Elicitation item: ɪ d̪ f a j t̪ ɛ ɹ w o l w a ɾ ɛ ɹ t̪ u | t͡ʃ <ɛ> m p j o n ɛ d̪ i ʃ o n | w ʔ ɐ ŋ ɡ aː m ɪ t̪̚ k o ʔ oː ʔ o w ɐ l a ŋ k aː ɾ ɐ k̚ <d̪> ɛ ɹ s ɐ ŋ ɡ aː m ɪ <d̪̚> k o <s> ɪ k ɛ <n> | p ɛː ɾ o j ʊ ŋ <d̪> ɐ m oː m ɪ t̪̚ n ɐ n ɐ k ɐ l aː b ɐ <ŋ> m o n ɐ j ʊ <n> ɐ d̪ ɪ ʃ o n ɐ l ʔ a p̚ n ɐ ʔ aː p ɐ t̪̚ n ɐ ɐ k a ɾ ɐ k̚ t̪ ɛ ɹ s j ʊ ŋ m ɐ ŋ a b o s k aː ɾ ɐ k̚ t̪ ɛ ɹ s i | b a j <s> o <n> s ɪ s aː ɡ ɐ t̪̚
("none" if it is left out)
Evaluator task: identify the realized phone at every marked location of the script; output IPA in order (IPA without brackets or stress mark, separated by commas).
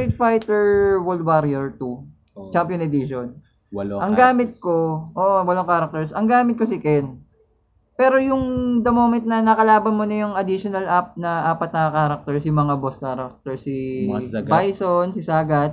a, t̪, t̪̚, s, n, d̪, n, ŋ, s, n